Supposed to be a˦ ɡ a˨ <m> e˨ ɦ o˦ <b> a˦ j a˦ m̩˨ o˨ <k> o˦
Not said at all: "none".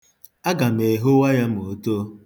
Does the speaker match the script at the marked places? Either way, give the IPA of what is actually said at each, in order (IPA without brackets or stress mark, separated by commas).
m, w, t